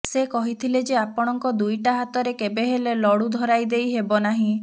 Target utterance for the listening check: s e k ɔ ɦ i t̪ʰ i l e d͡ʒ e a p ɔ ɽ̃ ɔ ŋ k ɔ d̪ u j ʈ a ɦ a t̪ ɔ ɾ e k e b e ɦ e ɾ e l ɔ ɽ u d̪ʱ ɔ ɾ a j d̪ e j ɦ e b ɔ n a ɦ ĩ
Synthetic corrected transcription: s e k ɔ ɦ i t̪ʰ i l e d͡ʒ e a p ɔ ɽ̃ ɔ ŋ k ɔ d̪ u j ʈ a ɦ a t̪ ɔ ɾ e k e b e ɦ e l e l ɔ ɽ u d̪ʱ ɔ ɾ a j d̪ e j ɦ e b ɔ n a ɦ ĩ